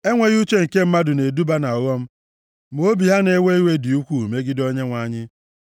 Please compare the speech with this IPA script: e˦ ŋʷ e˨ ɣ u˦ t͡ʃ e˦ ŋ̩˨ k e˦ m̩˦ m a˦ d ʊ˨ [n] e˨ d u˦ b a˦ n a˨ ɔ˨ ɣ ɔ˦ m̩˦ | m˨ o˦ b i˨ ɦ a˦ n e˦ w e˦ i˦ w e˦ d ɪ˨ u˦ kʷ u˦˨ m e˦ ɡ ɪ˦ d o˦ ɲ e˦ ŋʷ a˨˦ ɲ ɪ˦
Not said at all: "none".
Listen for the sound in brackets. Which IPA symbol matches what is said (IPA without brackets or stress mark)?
n